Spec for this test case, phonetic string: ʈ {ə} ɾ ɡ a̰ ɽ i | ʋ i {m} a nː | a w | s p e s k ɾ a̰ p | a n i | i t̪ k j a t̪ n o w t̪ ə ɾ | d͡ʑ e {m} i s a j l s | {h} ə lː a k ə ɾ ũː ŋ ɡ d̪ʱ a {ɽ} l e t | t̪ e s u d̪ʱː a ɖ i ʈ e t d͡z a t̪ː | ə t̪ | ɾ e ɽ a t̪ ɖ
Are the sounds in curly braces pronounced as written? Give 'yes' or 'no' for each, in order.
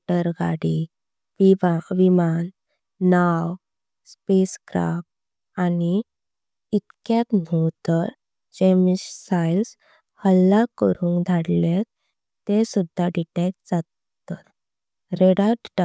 yes, yes, yes, yes, yes

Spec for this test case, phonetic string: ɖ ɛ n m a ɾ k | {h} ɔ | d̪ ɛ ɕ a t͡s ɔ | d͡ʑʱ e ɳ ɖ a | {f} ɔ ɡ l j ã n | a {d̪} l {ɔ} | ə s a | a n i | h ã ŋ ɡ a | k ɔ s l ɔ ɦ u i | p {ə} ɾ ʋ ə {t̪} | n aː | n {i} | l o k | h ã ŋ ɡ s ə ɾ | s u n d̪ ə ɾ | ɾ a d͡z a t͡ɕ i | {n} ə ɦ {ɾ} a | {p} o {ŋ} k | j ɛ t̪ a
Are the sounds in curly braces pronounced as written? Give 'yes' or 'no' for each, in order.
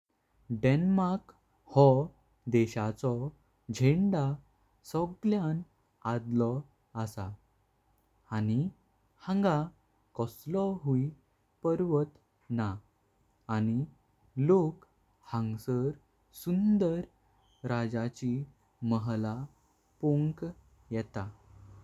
yes, no, yes, yes, yes, yes, yes, no, no, yes, yes

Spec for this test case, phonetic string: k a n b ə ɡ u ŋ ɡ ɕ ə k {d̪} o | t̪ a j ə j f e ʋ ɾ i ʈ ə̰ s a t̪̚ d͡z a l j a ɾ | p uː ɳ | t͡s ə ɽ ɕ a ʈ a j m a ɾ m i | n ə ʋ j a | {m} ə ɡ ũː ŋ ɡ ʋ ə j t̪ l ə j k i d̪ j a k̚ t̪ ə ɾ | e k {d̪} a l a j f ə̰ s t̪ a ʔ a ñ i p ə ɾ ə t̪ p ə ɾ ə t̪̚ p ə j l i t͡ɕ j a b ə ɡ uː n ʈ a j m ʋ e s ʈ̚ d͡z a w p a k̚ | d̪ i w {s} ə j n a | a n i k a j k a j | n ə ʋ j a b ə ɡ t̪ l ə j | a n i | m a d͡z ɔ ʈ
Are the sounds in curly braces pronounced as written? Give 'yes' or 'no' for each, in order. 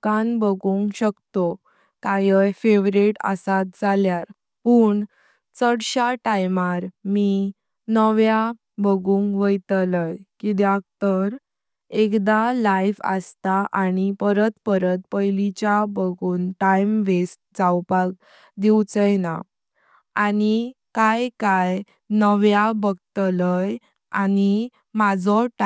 no, no, yes, no

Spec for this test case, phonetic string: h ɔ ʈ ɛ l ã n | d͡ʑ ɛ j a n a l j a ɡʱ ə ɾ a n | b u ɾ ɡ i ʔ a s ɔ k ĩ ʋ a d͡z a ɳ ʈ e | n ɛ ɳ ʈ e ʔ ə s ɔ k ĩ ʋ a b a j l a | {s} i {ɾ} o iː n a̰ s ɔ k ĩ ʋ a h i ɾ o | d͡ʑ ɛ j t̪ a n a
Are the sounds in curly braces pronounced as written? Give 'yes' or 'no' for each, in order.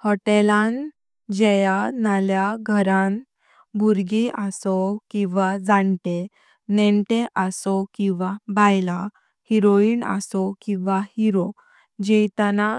no, yes

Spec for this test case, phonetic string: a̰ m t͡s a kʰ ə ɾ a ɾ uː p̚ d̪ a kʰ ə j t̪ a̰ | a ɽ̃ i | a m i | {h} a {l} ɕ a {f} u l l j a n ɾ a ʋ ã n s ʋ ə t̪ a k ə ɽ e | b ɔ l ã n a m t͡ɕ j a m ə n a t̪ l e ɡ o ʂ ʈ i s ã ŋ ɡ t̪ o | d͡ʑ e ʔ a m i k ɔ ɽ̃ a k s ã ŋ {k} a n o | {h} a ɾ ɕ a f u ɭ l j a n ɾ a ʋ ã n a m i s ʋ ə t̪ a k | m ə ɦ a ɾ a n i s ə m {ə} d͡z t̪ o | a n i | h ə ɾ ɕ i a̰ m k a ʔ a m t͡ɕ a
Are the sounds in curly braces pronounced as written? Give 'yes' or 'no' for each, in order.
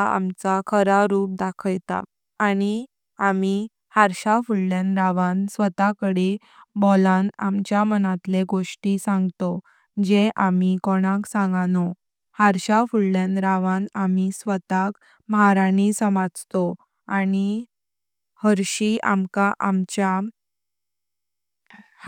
yes, no, yes, no, yes, no

